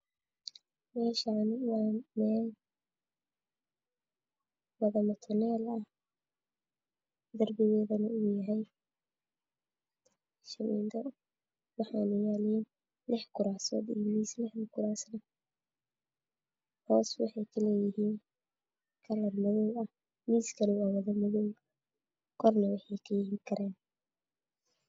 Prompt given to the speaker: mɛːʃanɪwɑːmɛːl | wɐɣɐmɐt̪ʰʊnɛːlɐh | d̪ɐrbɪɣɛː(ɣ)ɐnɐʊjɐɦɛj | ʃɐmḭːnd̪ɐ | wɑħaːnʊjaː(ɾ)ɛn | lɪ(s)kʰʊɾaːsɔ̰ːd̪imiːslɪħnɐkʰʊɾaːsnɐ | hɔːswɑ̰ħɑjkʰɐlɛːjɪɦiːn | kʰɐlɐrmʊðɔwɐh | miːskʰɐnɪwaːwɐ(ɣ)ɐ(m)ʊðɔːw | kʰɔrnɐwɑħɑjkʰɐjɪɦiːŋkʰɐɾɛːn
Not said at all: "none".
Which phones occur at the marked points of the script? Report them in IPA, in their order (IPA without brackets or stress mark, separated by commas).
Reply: ð, l, ħ, ð, m